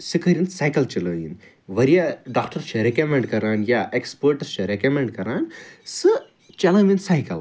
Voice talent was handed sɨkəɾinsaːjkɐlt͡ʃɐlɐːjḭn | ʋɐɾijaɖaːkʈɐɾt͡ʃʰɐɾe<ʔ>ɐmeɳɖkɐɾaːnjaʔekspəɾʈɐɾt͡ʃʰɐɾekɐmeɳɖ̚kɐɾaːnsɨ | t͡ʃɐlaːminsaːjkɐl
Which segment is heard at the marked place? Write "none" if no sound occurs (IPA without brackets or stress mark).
k